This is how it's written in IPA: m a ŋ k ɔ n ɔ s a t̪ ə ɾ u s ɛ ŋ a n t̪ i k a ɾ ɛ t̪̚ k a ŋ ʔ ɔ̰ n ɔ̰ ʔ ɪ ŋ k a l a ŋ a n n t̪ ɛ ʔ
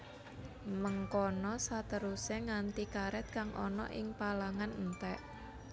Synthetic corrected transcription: m ə ŋ k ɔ n ɔ s a t̪ ə ɾ u s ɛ ŋ a n t̪ i k a ɾ ɛ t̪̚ k a ŋ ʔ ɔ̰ n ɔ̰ ʔ ɪ ŋ p a l a ŋ a n n t̪ ɛ ʔ